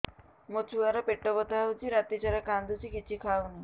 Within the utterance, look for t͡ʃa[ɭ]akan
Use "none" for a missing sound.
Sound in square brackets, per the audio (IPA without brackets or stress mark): ɾ